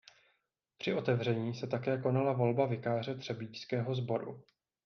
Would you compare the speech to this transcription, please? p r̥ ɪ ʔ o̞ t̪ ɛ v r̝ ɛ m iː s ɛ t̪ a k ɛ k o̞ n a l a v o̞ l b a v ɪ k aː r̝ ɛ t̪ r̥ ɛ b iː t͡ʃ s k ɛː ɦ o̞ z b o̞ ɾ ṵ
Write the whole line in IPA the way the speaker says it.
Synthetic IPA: p r̥ ɪ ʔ o̞ t̪ ɛ v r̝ ɛ ɲ iː s ɛ t̪ a k ɛː k o̞ n a l a v o̞ l b a v ɪ k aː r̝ ɛ t̪ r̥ ɛ b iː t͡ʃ s k ɛː ɦ o̞ z b o̞ ɾ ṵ